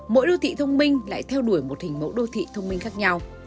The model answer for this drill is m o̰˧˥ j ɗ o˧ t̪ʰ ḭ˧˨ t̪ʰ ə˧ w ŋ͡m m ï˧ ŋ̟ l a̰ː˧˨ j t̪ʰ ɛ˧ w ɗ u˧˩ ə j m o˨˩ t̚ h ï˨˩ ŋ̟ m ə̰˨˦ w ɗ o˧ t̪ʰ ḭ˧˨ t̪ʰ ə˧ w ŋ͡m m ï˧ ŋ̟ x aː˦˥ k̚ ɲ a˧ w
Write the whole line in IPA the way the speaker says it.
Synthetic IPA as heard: m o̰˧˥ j ɗ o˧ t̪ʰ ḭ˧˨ t̪ʰ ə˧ w ŋ͡m m ï˧ ŋ̟ l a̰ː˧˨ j t̪ʰ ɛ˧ w ɗ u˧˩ ə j m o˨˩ t̚ h ï˨˩ ŋ̟ m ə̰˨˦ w ɗ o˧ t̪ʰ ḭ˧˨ t̪ʰ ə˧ w ŋ͡m m ï˧ ŋ̟ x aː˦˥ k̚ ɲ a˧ w